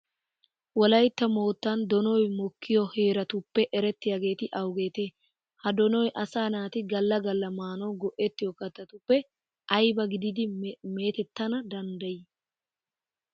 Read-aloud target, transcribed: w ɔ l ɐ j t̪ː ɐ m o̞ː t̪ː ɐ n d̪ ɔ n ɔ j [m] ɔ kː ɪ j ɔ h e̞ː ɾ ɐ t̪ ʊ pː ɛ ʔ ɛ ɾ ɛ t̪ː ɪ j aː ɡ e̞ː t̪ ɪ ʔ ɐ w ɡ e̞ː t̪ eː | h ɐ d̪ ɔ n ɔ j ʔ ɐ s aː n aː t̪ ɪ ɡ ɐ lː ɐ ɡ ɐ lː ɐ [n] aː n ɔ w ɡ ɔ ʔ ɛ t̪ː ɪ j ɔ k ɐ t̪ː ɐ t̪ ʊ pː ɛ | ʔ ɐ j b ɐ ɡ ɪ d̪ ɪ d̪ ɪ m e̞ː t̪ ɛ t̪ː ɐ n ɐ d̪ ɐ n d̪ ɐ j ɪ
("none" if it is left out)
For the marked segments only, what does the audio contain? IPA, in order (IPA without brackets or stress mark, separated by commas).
m, m